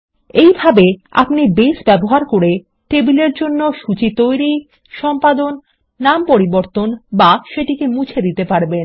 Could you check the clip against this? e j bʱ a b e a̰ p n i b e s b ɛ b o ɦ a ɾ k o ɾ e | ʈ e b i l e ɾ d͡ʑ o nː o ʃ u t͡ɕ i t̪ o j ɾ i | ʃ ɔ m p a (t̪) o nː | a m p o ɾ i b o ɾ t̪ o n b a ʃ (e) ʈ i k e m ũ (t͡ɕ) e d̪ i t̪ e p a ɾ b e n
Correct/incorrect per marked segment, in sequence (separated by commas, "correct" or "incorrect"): incorrect, correct, incorrect